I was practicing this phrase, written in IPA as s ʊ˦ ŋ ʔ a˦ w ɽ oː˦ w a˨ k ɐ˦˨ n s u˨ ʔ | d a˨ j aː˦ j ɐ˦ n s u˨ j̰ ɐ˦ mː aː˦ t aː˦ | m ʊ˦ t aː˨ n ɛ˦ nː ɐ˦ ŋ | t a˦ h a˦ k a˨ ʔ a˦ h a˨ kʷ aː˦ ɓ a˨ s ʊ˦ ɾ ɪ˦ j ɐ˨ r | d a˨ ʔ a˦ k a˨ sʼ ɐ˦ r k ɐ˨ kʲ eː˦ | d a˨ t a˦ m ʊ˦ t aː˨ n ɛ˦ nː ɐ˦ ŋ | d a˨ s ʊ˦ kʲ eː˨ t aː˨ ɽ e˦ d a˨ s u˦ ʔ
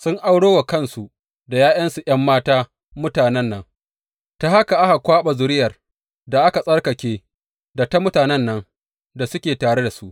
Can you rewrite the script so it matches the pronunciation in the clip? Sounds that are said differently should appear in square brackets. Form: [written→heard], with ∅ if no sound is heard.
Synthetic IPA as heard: s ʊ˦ ŋ ʔ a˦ w ɽ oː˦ w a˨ k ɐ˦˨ n s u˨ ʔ | d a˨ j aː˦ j ɐ˦ n s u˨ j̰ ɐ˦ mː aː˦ t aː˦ | m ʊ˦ t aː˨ n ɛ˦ nː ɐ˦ ŋ | t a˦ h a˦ k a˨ ʔ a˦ h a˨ kʷ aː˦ ɓ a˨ [s→z] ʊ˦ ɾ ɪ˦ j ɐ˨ r | d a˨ ʔ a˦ k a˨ sʼ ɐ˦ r k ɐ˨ kʲ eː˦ | d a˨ t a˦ m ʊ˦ t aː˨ n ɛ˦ nː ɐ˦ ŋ | d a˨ s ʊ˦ kʲ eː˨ t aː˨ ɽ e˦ d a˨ s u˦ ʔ